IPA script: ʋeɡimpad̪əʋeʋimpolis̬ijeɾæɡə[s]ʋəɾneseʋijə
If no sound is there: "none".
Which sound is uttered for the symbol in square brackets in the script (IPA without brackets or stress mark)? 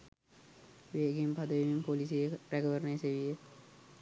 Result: none